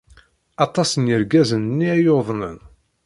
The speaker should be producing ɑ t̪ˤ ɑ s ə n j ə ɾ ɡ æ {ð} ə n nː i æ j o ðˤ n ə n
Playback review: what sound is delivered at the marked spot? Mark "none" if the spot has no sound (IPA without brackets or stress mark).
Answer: z